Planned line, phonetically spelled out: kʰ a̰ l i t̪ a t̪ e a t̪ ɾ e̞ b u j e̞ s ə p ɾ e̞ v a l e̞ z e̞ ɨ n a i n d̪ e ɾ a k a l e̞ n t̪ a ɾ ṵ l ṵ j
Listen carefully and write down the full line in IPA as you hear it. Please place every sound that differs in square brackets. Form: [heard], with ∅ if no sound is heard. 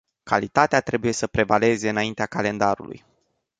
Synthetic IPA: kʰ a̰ l i t̪ a t̪ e a t̪ ɾ e̞ b u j e̞ s ə p ɾ e̞ v a l e̞ z e̞ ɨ n a i n [t̪] e [∅] a k a l e̞ n [d̪] a ɾ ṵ l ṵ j